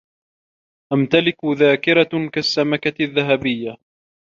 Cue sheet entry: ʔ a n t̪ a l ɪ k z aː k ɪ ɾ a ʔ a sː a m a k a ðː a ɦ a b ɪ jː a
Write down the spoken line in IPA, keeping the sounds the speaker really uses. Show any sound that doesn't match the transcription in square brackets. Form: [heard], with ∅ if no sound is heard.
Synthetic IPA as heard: ʔ a [m] t̪ a l ɪ k [ð] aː k ɪ ɾ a [k] a sː a m a k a ðː a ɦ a b ɪ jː a